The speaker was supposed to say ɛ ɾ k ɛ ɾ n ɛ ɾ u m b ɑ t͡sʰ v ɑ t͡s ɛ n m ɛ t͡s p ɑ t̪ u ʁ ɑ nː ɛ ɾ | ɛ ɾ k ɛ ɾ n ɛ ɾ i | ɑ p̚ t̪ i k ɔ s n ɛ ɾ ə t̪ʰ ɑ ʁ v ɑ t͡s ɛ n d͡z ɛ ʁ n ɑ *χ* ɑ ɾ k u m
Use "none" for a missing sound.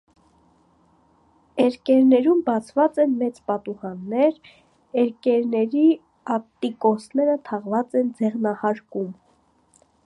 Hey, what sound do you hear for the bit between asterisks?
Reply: h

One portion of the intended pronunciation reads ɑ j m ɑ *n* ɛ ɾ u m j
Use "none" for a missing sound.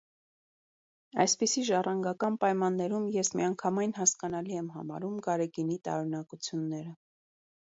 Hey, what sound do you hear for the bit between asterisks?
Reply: nː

